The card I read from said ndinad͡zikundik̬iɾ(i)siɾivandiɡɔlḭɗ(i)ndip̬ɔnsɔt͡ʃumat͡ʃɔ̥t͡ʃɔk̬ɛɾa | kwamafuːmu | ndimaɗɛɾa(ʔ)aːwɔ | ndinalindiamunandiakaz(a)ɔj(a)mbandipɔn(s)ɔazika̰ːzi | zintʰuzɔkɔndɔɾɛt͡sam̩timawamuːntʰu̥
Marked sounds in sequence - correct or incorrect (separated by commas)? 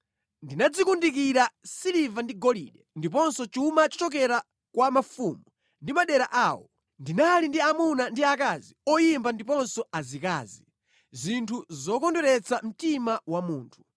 incorrect, incorrect, correct, incorrect, incorrect, correct